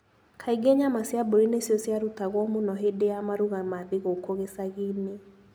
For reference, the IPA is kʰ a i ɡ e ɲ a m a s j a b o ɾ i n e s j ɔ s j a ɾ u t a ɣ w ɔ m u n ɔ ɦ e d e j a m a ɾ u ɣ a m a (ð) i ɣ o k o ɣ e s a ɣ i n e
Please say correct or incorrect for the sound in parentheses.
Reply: correct